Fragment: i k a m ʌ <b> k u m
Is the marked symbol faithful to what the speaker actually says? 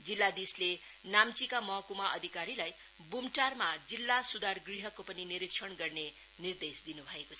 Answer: no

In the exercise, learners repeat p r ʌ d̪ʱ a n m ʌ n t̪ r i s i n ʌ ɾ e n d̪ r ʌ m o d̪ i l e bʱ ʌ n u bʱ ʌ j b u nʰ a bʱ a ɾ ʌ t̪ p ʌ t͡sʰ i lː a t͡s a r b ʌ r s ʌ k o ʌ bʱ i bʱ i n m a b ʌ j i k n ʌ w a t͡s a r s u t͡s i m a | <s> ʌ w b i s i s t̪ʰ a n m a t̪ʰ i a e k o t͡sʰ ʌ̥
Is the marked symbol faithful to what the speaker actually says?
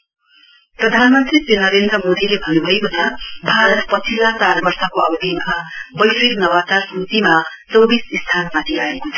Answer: no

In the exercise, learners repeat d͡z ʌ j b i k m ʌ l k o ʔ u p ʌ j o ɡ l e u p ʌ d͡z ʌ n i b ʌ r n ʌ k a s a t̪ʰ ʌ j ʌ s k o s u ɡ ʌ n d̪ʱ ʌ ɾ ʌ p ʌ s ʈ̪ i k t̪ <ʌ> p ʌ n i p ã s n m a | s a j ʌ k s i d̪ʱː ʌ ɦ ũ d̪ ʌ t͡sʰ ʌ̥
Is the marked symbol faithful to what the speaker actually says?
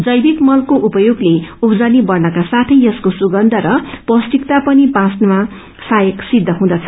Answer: no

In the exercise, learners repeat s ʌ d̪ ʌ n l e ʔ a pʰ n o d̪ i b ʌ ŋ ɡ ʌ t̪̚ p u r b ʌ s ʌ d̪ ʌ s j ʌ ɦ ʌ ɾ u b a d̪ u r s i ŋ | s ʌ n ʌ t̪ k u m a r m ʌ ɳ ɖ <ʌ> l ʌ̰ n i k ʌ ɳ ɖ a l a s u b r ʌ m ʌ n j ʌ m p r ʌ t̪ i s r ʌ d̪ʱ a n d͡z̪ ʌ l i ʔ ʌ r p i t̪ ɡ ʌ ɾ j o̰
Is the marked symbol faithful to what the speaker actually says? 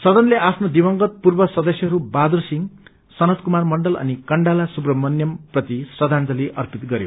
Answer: yes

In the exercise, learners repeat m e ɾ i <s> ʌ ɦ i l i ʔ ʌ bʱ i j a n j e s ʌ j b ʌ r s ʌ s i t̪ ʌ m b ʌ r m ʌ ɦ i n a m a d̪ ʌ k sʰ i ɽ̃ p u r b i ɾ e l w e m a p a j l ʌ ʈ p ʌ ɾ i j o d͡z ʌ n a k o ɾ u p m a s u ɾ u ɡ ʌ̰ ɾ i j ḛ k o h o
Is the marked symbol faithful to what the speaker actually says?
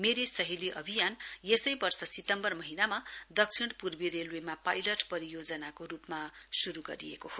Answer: yes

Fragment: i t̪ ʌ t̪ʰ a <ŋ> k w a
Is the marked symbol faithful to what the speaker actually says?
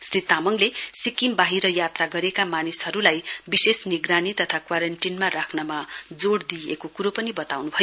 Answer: no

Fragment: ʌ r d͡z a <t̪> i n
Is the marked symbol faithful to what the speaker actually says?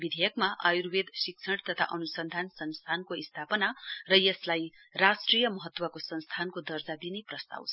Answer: no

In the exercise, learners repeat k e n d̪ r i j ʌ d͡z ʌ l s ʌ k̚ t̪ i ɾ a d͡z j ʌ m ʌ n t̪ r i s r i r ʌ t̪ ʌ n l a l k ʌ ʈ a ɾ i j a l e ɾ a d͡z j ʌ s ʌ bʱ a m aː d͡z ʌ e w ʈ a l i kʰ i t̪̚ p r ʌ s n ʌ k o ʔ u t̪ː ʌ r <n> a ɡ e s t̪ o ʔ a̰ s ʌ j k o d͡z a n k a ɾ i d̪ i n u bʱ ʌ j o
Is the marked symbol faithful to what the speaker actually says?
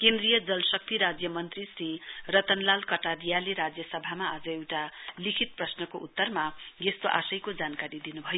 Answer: no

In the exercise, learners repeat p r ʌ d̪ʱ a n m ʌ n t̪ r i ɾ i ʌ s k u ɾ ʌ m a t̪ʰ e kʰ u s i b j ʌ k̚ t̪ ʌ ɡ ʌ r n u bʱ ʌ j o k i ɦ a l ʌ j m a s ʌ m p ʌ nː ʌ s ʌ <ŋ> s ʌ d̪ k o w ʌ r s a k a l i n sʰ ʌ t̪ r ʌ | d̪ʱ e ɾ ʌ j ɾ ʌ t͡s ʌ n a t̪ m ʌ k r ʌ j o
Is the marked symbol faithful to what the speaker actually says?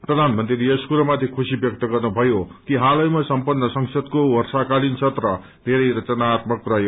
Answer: yes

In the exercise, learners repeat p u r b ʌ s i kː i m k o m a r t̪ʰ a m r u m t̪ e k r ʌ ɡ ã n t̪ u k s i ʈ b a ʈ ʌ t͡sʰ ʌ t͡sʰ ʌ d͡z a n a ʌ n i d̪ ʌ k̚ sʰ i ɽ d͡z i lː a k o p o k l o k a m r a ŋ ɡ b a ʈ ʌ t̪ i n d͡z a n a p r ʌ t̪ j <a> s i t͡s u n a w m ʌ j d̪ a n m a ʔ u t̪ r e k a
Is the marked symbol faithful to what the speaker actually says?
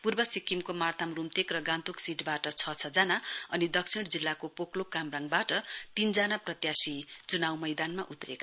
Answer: yes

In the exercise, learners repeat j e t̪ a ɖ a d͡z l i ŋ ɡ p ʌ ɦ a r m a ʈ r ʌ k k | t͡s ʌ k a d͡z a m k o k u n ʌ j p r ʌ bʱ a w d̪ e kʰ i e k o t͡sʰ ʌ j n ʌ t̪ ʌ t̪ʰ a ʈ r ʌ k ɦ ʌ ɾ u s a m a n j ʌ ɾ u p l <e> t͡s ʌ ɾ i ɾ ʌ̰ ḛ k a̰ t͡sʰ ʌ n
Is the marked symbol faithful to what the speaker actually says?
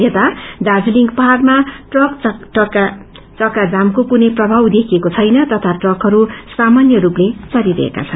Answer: yes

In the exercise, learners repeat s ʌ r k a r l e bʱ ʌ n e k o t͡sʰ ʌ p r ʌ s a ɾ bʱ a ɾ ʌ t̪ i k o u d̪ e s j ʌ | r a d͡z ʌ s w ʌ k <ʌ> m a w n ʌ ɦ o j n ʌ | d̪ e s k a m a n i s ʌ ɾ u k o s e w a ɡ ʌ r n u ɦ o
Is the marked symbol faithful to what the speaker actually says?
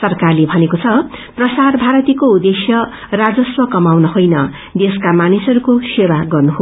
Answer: yes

